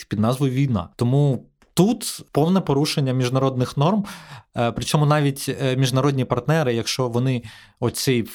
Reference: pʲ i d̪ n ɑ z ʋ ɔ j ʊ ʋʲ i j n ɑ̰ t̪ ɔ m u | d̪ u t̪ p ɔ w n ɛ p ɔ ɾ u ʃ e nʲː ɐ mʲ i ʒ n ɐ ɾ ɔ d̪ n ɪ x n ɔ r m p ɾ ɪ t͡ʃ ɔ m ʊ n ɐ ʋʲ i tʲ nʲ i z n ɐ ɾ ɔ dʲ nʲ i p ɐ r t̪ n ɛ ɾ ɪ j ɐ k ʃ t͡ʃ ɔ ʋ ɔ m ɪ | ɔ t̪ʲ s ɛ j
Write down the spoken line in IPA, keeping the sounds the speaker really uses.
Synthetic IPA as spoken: pʲ i d̪ n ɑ z ʋ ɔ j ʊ ʋʲ i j n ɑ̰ t̪ ɔ m u | t̪ u t̪ p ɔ w n ɛ p ɔ ɾ u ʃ e nʲː ɐ mʲ i ʒ n ɐ ɾ ɔ d̪ n ɪ x n ɔ r m p ɾ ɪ t͡ʃ ɔ m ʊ n ɑ ʋʲ i tʲ mʲ i ʒ n ɐ ɾ ɔ dʲ nʲ i p ɐ r t̪ n ɛ ɾ ɪ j ɐ k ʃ t͡ʃ ɔ ʋ ɔ n ɪ | ɔ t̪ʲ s ɛ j